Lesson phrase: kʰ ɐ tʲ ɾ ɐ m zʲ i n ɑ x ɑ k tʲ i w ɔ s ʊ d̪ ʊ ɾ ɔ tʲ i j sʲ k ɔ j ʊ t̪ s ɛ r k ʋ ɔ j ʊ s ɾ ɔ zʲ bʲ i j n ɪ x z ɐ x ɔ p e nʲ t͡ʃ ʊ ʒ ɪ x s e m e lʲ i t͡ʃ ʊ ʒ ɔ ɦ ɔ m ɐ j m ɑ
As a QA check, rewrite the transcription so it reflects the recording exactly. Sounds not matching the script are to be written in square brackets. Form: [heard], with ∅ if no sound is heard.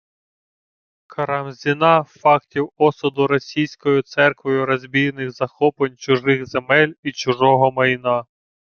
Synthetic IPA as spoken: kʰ ɐ [∅] ɾ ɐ m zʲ i n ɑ [f] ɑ k tʲ i w ɔ s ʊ d̪ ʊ ɾ ɔ [sʲ] i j sʲ k ɔ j ʊ t̪ s ɛ r k ʋ ɔ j ʊ [∅] ɾ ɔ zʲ bʲ i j n ɪ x z ɐ x ɔ p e nʲ t͡ʃ ʊ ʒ ɪ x [z] e m [ɛ] lʲ i t͡ʃ ʊ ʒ ɔ ɦ ɔ m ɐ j [n] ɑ